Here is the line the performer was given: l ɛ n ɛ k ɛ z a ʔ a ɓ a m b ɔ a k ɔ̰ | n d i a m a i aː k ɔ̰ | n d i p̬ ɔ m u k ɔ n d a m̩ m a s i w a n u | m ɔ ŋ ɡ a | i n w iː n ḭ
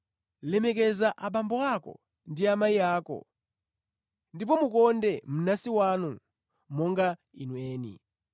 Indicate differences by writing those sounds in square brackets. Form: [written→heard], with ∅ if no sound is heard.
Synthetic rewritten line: l ɛ [n→m] ɛ k ɛ z a ʔ a ɓ a m b ɔ a k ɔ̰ | n d i a m a i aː k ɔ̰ | n d i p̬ ɔ m u k ɔ n d [a→ɛ] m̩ [m→n] a s i w a n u | m ɔ ŋ ɡ a | i n w [iː→ɛː] n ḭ